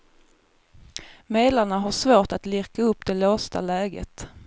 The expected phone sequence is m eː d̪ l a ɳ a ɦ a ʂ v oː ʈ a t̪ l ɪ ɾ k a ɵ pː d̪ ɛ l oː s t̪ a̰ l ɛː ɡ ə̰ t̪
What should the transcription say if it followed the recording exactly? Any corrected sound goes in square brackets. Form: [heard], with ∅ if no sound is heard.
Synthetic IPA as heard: m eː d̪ l a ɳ a ɦ a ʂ v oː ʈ a t̪ l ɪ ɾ k a ɵ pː d̪ ɛ l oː s t̪ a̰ l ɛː ɡ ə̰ t̪